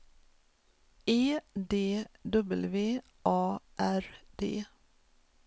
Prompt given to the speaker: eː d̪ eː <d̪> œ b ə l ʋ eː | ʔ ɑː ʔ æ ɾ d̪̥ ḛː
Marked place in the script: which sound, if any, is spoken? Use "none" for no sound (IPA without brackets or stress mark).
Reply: d̪